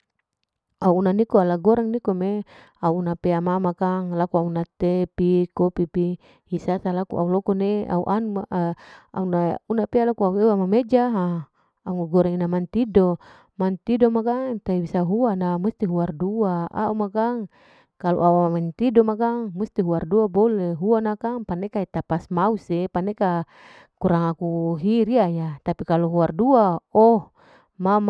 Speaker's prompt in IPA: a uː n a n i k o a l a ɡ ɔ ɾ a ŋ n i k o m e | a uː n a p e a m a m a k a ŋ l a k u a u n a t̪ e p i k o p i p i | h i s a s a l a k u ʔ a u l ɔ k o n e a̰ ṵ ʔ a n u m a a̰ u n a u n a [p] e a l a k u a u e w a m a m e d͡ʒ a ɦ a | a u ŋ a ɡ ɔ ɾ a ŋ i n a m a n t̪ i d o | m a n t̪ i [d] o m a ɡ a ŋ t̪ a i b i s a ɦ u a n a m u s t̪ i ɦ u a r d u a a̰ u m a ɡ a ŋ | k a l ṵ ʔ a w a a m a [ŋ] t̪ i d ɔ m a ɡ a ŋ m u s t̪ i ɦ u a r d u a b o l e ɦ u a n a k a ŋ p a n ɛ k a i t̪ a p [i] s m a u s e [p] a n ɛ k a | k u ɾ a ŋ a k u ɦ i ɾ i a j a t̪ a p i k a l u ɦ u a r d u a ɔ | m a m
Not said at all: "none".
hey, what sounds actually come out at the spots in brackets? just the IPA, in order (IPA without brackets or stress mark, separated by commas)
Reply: p, d, n, a, p